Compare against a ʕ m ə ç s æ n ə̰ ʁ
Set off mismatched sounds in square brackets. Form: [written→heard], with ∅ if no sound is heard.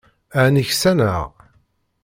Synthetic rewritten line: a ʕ [m→n] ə ç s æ n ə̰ ʁ